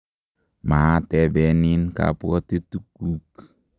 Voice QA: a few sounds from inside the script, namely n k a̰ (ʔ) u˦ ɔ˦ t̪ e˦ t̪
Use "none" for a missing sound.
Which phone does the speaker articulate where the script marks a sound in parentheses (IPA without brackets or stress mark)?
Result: p